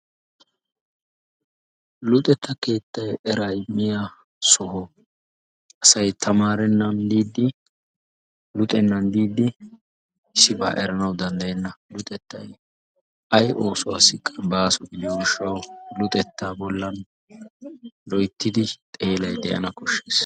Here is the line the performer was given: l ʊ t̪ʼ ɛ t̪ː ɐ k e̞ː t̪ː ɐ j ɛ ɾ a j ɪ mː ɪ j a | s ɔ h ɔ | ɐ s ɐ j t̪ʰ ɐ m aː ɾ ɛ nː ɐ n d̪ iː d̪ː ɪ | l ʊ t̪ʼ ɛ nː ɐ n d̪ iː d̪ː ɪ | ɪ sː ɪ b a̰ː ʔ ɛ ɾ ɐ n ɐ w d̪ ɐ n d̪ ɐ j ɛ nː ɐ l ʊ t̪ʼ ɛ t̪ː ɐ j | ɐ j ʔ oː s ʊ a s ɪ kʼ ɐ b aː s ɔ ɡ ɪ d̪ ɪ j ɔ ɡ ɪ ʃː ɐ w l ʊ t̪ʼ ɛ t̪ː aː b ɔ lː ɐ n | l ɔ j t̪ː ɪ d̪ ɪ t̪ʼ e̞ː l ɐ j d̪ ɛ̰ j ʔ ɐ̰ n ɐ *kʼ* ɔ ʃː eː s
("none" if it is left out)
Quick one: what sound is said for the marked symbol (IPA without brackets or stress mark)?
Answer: k